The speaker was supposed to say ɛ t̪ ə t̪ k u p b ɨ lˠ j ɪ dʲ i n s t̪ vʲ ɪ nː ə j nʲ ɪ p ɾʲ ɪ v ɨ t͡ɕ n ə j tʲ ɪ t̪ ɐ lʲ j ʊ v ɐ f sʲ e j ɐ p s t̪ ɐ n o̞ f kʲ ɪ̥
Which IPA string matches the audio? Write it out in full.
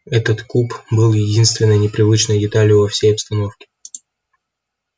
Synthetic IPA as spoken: ɛ t̪ ə t̪ k u p b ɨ lˠ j ɪ dʲ i n s t̪ vʲ ɪ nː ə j nʲ ɪ p ɾʲ ɪ v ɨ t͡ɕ n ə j dʲ ɪ t̪ a lʲ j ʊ v ɐ f sʲ e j ɐ p s t̪ ɐ n o̞ f kʲ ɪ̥